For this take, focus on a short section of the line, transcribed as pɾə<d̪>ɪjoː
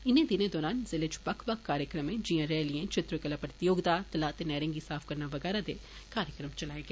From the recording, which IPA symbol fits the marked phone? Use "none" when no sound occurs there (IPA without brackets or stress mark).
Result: t̪